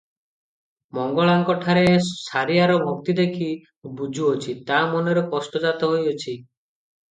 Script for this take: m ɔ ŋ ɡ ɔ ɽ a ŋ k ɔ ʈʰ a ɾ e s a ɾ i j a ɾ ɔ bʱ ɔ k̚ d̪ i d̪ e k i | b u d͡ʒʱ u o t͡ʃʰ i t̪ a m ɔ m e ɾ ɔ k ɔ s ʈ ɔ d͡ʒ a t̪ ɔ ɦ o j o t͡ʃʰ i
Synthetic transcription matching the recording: m ɔ ŋ ɡ ɔ ɭ a ŋ k ɔ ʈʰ a ɾ e s a ɾ i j a ɾ ɔ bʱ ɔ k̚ t̪ i d̪ e kʰ i | b u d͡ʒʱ u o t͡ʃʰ i t̪ a m ɔ n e ɾ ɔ k ɔ s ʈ ɔ d͡ʒ a t̪ ɔ ɦ o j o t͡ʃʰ i